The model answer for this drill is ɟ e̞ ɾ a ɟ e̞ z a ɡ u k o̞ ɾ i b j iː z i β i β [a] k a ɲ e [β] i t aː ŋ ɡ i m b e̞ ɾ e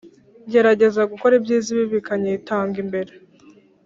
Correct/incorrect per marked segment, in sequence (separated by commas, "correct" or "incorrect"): incorrect, incorrect